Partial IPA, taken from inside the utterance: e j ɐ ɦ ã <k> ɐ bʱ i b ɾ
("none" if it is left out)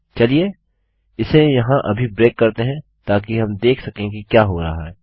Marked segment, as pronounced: ʔ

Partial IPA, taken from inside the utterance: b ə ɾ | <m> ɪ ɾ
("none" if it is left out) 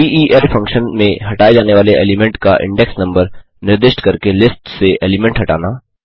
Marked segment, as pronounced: n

